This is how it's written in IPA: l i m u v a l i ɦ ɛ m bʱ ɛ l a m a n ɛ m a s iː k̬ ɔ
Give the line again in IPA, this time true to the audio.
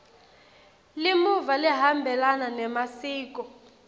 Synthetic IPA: l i m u v a l i ɦ a m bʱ ɛ l a n a n ɛ m a s iː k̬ ɔ